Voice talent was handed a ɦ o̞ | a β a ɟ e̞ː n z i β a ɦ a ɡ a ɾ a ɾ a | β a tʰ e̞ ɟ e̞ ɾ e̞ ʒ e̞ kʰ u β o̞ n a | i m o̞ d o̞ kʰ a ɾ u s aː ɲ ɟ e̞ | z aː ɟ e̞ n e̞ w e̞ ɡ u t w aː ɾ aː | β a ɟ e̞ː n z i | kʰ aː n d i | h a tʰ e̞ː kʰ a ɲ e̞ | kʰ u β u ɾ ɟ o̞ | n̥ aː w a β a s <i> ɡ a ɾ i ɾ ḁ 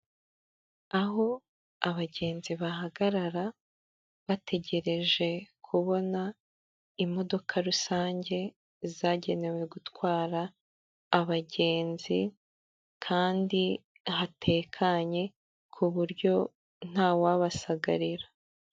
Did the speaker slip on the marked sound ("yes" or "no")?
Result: yes